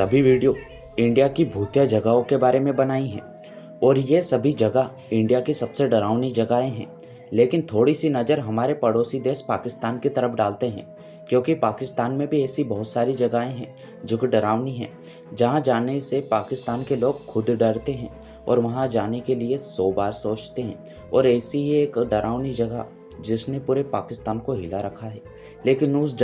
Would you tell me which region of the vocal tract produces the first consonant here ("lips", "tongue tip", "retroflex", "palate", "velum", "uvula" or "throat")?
tongue tip